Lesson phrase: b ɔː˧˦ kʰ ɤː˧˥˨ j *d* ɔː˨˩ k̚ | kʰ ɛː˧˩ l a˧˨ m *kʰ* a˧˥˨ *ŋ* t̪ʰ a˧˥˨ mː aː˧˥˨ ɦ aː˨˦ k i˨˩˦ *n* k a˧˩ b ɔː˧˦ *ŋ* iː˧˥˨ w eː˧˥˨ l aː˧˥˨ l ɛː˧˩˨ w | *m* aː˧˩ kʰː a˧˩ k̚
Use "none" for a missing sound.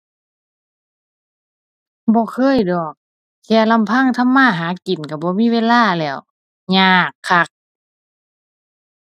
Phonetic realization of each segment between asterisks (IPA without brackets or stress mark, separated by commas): d, pʰ, ŋ, n, m, ɲ